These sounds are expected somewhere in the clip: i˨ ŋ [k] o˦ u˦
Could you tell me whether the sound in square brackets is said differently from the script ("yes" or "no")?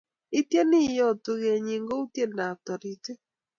yes